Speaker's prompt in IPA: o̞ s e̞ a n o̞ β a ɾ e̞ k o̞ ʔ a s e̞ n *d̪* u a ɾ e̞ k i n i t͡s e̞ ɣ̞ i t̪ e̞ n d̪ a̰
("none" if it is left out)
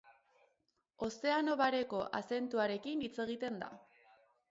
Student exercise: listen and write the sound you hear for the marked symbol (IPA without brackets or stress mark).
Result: t̪